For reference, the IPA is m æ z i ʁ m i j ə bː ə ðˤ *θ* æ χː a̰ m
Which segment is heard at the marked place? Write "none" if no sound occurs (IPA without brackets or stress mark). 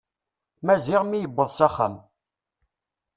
s